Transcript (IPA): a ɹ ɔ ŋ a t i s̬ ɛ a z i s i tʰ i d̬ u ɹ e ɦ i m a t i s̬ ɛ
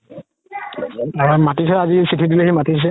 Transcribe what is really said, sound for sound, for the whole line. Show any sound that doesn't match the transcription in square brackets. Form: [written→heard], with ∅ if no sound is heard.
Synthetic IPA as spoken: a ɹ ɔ [ŋ→m] a t i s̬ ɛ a z i s i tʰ i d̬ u [ɹ→l] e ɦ i m a t i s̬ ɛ